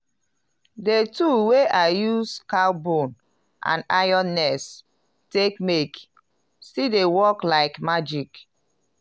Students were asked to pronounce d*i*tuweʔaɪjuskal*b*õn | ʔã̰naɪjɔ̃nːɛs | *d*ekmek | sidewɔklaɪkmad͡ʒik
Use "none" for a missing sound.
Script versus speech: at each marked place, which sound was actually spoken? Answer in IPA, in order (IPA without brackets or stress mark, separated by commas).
e, b, t